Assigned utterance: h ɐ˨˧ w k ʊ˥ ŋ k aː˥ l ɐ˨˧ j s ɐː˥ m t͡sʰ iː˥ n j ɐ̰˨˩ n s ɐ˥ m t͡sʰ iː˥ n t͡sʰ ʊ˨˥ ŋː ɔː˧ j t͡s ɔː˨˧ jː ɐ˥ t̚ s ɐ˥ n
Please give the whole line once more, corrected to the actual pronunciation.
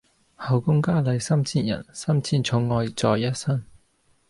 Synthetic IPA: h ɐ˨˧ w k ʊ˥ ŋ k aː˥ l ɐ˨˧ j s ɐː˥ m t͡sʰ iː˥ n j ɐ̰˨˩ n s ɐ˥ m t͡sʰ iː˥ n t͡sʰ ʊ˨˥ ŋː ɔː˧ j t͡s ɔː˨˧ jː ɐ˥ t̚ s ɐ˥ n